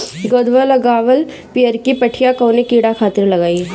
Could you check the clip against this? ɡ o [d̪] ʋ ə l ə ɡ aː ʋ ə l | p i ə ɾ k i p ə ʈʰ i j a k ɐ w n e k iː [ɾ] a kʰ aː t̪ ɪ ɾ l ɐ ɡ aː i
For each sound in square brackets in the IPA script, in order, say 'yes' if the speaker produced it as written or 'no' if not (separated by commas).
yes, no